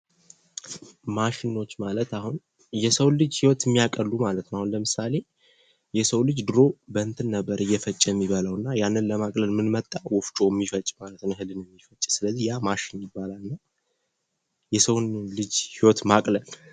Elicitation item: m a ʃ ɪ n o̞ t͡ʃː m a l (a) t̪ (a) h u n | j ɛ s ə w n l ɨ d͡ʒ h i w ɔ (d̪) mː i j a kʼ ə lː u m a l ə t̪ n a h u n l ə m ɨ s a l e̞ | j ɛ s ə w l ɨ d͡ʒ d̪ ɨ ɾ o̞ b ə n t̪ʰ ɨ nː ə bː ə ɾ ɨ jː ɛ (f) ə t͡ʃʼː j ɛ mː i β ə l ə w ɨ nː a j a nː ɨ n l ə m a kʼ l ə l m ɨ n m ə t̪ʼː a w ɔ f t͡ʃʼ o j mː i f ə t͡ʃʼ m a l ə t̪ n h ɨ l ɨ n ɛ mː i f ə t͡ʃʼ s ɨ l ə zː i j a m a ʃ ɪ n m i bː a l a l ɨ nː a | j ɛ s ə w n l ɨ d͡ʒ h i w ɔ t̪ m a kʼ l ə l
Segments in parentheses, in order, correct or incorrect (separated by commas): incorrect, correct, incorrect, correct